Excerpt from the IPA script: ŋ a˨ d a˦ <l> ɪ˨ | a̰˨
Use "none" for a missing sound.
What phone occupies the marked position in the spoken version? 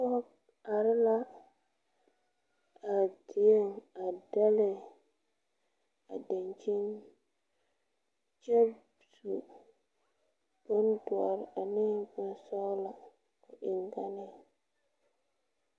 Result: l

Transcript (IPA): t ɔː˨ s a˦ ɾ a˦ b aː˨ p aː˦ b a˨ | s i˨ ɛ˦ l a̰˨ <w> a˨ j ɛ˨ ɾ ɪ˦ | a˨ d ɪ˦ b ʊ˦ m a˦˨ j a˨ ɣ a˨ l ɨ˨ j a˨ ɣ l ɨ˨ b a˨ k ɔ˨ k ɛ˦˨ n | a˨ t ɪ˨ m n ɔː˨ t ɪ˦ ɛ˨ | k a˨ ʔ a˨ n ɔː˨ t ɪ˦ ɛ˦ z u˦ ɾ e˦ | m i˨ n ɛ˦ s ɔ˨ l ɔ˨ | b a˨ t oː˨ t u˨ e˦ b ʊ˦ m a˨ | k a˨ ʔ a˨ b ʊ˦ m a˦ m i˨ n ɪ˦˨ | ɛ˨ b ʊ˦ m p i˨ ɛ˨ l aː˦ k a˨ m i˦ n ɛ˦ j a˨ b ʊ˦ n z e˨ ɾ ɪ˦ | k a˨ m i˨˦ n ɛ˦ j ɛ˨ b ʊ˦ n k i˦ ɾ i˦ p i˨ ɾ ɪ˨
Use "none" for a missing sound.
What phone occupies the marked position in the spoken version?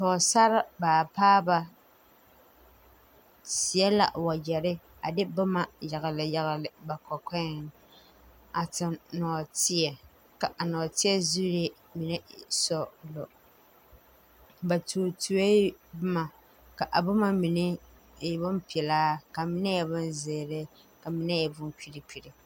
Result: w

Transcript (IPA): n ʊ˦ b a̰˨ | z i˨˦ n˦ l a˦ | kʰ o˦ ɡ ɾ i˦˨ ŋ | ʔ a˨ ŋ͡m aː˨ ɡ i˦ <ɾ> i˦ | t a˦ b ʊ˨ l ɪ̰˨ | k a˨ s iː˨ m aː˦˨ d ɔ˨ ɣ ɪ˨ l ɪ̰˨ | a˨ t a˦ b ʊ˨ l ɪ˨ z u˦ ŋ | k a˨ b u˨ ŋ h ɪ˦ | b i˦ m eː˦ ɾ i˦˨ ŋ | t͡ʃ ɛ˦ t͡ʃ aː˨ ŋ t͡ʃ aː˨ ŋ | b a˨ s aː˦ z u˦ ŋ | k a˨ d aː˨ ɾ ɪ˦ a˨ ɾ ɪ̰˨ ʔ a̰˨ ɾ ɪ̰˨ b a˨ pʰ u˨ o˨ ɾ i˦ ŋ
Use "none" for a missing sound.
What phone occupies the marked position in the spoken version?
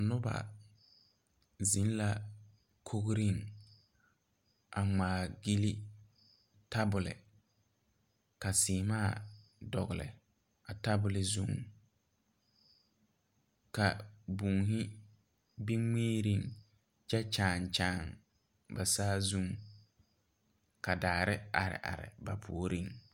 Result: l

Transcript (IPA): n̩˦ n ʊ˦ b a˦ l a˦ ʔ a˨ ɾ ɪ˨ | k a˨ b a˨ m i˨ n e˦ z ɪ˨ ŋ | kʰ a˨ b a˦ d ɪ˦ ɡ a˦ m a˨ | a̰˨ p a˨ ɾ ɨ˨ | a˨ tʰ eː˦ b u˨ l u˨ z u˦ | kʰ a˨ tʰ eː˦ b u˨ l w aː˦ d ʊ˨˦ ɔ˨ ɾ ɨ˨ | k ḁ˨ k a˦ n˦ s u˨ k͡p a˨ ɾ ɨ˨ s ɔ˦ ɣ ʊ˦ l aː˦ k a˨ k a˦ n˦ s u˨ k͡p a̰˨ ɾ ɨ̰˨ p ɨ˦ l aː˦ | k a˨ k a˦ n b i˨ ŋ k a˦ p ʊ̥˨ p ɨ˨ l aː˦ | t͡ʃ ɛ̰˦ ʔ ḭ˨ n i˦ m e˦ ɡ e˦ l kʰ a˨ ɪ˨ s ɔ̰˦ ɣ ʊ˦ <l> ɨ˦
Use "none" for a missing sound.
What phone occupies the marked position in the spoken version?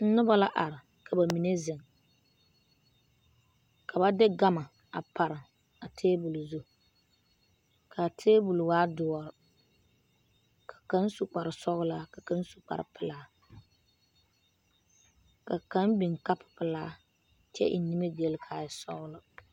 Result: l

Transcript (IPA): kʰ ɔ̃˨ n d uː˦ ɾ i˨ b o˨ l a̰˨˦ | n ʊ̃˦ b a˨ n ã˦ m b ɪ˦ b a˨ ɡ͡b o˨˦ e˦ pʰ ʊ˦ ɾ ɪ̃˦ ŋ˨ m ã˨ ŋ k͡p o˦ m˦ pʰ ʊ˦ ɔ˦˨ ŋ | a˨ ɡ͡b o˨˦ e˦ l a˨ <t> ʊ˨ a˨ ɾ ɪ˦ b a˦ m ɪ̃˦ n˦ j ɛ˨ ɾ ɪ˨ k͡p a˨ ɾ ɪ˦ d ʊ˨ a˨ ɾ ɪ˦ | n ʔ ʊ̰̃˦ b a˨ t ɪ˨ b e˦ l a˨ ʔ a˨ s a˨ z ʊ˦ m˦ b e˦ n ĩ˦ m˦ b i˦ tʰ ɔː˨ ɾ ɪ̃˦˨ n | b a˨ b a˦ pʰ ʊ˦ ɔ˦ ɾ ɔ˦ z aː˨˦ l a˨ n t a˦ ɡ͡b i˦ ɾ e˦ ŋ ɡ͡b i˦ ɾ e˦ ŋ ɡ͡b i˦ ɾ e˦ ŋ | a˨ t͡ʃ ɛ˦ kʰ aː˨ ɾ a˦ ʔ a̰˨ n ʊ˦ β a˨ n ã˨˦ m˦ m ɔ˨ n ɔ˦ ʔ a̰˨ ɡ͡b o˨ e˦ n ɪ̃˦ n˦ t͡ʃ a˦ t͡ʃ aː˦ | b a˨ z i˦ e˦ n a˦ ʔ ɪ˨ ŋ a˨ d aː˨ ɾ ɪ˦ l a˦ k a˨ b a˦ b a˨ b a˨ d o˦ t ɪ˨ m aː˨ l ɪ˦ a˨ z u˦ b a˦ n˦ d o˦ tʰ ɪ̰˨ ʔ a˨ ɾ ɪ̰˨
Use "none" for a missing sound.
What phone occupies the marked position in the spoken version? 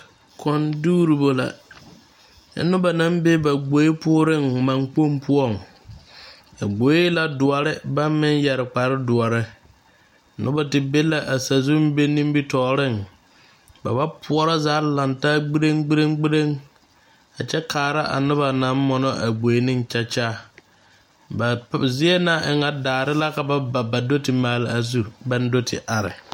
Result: d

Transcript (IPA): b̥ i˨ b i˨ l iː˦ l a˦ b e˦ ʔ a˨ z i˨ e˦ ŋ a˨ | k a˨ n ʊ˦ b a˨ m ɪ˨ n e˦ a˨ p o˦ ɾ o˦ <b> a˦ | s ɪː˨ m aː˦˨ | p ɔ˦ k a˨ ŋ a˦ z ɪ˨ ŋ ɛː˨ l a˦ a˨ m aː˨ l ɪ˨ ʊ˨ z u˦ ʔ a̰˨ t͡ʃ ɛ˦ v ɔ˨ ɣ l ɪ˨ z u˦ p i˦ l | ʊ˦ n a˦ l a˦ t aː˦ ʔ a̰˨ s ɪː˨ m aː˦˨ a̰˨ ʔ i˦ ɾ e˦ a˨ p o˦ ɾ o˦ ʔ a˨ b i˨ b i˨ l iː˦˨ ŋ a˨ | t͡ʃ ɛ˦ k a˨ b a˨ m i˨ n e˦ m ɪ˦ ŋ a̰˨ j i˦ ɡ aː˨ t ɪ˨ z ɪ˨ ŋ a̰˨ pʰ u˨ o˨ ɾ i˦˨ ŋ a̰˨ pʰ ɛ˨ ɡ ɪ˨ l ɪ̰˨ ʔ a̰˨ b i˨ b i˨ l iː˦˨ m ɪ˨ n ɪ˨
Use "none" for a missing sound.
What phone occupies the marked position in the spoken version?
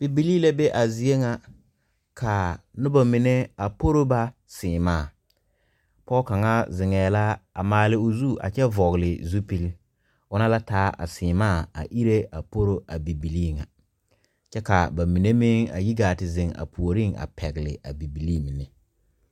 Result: b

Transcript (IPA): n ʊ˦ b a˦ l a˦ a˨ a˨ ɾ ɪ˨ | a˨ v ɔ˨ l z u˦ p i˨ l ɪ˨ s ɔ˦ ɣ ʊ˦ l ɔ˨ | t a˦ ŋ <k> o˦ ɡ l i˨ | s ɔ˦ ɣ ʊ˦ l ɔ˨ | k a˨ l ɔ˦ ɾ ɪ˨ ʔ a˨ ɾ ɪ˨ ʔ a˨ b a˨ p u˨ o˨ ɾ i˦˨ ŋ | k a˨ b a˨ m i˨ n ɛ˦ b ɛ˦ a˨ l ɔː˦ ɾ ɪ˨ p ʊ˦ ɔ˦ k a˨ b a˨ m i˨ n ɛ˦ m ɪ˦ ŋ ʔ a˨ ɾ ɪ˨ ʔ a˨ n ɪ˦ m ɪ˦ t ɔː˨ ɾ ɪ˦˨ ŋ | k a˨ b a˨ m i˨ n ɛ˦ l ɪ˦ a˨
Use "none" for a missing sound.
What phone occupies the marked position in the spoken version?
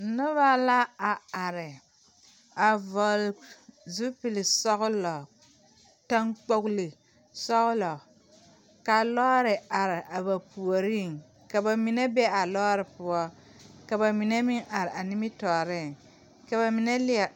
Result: k͡p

